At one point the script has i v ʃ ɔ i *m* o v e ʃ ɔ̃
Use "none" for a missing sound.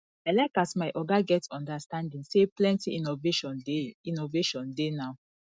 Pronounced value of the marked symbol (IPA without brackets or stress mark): n